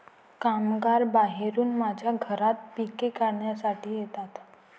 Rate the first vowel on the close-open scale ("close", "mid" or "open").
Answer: open